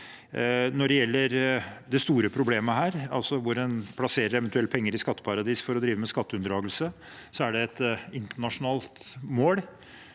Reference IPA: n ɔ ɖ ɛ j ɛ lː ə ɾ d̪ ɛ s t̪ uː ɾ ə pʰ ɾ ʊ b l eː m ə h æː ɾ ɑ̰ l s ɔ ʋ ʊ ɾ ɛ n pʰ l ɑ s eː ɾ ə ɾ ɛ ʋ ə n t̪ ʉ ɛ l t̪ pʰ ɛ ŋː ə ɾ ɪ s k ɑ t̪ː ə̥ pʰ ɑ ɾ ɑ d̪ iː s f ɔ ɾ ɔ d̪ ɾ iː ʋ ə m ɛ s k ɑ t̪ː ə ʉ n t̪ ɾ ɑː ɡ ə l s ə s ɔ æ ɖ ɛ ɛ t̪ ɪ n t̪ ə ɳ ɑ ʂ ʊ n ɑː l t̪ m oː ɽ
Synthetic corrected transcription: n ɔ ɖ ɛ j ɛ lː ə ɾ d̪ ɛ s t̪ uː ɾ ə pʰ ɾ ʊ b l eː m ə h æː ɾ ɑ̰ l s ɔ ʋ ʊ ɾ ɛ n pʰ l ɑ s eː ɾ ə ɾ ɛ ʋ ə n t̪ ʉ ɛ l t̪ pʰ ɛ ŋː ə ɾ ɪ s k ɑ t̪ː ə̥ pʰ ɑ ɾ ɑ d̪ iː s f ɔ ɾ ɔ d̪ ɾ iː ʋ ə m ɛ s k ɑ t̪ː ə ʉ n d̪ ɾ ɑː ɡ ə l s ə s ɔ æ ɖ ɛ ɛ t̪ ɪ n t̪ ə ɳ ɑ ʂ ʊ n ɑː l t̪ m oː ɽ